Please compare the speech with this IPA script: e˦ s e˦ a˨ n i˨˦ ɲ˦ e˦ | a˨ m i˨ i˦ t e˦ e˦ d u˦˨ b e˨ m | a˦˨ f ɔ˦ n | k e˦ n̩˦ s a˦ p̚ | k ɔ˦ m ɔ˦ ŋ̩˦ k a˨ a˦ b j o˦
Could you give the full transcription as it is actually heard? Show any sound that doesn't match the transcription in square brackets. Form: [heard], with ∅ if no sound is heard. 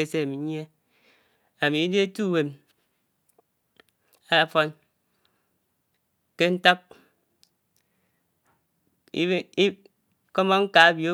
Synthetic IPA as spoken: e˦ s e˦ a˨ [m] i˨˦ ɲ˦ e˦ | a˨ m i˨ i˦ [d] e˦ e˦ [t] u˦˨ [w] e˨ m | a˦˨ f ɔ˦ n | k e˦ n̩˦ [t] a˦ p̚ | k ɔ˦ m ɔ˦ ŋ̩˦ k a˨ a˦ b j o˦